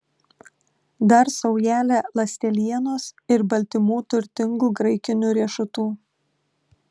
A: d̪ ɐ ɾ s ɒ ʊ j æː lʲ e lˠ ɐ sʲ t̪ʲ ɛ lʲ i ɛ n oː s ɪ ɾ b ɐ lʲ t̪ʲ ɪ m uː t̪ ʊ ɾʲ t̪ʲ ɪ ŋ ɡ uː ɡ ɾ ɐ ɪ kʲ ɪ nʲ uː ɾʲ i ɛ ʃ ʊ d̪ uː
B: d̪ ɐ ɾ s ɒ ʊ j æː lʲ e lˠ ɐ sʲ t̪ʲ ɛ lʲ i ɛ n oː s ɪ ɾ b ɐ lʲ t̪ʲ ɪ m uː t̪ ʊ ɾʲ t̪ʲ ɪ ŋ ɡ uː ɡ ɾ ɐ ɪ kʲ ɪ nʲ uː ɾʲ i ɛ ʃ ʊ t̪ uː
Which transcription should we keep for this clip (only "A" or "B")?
B